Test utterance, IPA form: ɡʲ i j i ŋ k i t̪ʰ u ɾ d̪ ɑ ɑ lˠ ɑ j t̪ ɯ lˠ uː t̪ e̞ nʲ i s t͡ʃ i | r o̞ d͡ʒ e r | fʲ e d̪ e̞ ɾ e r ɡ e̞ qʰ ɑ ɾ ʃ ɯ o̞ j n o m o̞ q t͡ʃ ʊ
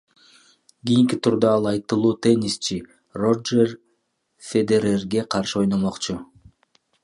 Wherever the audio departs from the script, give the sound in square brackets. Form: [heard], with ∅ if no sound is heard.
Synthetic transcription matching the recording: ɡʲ i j i ŋ k i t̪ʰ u ɾ d̪ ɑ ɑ lˠ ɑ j t̪ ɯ lˠ uː t̪ e̞ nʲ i s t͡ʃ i | r o̞ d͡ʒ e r | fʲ e d̪ e̞ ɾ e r ɡ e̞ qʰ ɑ ɾ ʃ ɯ o̞ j n o m o̞ q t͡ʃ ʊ